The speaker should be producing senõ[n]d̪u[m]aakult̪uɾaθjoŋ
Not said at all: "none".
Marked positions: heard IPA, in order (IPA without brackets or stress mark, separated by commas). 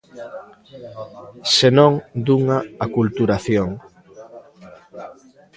ŋ, ŋ